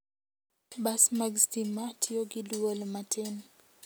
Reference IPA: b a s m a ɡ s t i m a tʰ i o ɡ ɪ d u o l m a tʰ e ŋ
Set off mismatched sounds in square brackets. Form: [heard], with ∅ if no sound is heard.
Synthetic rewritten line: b a s m a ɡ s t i m a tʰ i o ɡ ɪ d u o l m a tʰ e [n]

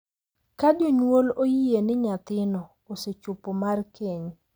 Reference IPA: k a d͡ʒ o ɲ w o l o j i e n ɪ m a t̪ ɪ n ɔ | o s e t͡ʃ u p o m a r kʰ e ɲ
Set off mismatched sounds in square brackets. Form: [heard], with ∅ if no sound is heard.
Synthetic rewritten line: k a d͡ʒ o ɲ w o l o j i e n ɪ [ɲ] a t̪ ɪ n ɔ | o s e t͡ʃ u p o m a r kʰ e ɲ

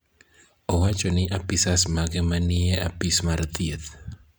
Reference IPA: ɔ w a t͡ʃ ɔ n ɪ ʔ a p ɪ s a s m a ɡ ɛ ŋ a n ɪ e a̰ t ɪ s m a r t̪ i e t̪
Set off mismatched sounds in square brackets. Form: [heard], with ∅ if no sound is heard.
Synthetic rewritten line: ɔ w a t͡ʃ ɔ n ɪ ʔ a p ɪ s a s m a ɡ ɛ [m] a n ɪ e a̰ [p] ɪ s m a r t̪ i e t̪

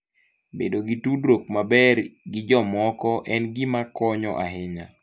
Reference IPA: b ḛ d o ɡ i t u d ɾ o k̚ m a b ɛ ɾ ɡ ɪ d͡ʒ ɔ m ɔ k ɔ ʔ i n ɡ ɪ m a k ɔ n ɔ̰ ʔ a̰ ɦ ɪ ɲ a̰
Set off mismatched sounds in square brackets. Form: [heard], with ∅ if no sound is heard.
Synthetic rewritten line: b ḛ d o ɡ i t u d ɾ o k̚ m a b ɛ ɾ ɡ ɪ d͡ʒ ɔ m ɔ k ɔ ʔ [ɛ] n ɡ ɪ m a k ɔ [ɲ] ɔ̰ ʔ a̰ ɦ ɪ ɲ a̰

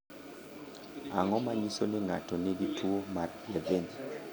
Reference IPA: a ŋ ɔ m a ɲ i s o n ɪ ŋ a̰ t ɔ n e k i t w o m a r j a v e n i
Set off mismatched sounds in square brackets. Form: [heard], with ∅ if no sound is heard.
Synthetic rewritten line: a ŋ ɔ m a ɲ i s o n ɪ ŋ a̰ t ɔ n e [ɡ] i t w o m a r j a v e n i

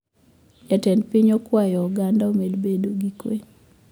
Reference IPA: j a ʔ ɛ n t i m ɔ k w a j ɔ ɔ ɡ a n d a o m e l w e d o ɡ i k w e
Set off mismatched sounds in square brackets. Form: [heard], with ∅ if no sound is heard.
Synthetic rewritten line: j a [t] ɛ n [p] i [ɲ] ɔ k w a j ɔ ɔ ɡ a n d a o m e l [b] e d o ɡ i k w e

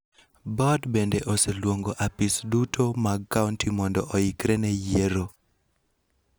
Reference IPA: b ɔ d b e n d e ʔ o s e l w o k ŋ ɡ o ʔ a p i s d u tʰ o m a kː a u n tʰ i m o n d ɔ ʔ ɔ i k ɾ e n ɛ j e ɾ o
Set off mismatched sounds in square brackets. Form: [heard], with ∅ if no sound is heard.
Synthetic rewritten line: b ɔ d b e n d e ʔ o s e l w o [∅] ŋ ɡ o ʔ a p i s d u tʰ o m a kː a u n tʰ i m [ɔ] n d ɔ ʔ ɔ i k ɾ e n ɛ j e ɾ o

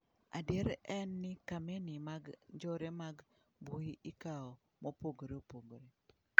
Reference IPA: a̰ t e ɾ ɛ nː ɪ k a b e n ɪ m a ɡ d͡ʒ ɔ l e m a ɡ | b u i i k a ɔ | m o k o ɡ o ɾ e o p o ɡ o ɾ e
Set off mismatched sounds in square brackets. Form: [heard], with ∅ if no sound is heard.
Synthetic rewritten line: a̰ [d] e ɾ ɛ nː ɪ k a [m] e n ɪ m a ɡ d͡ʒ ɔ [ɾ] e m a ɡ | b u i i k a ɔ | m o [p] o ɡ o ɾ e o p o ɡ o ɾ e

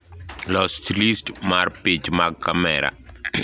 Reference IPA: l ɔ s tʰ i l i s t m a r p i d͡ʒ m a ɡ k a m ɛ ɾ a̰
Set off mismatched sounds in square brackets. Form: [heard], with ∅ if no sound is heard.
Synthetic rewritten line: l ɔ s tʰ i l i s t m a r p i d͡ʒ m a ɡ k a m ɛ ɾ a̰

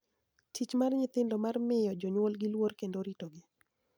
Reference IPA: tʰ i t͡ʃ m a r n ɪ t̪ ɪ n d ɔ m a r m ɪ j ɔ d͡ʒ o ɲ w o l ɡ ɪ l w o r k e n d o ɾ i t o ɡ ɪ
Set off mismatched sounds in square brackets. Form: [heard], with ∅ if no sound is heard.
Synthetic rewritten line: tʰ i t͡ʃ m a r [ɲ] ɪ t̪ ɪ n d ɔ m a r m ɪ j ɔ d͡ʒ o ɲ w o l ɡ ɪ l w o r k e n d o ɾ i t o ɡ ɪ

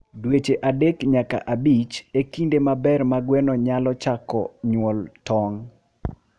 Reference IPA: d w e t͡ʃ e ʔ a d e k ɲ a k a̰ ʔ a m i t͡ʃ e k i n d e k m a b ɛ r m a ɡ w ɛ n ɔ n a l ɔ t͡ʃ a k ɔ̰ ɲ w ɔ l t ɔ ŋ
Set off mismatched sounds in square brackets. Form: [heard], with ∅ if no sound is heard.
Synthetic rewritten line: d w e t͡ʃ e ʔ a d e k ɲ a k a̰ ʔ a [b] i t͡ʃ e k i n d e [∅] m a b ɛ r m a ɡ w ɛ n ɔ [ɲ] a l ɔ t͡ʃ a k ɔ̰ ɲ w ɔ l t ɔ ŋ

